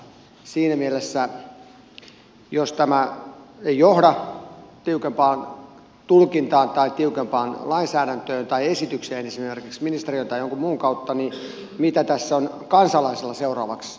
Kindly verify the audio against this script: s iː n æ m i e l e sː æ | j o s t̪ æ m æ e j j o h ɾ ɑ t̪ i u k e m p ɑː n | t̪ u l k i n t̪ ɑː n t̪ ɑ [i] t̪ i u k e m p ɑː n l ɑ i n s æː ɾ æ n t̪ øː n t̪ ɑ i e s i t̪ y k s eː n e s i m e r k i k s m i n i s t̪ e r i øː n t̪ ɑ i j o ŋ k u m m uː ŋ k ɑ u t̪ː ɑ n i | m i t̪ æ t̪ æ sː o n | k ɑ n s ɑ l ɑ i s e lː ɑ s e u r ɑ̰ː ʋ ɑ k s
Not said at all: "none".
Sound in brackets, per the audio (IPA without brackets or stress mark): i